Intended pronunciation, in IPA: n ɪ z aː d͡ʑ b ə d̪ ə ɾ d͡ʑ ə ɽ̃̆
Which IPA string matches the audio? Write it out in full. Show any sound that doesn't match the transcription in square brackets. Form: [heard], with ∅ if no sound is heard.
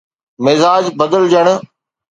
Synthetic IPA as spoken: [m] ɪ z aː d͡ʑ b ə d̪ ə [l] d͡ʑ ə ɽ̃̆